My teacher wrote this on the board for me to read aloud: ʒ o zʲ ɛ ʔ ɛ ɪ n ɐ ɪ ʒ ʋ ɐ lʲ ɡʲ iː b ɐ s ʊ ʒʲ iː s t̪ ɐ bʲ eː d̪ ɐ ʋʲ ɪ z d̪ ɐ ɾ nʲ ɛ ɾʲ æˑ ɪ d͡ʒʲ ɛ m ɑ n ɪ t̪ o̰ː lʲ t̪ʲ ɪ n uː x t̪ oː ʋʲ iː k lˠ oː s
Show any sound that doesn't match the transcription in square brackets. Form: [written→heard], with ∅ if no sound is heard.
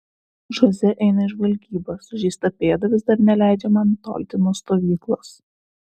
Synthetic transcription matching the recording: ʒ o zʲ ɛ ʔ ɛ ɪ n ɐ ɪ ʒ ʋ ɐ lʲ ɡʲ iː b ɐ s ʊ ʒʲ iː s t̪ ɐ [bʲ→pʲ] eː d̪ ɐ ʋʲ ɪ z d̪ ɐ ɾ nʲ ɛ [ɾʲ→lʲ] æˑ ɪ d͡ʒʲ ɛ m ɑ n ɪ t̪ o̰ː lʲ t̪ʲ ɪ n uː [x→s] t̪ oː ʋʲ iː k lˠ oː s